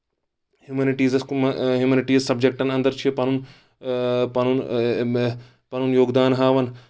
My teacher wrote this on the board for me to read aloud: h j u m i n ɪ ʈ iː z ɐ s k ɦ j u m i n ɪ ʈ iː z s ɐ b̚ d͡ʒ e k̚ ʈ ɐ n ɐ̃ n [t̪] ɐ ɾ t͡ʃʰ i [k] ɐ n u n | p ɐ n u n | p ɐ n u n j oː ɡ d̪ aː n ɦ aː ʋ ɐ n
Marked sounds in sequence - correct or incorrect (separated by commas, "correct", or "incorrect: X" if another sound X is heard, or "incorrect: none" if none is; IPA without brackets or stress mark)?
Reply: incorrect: d̪, incorrect: p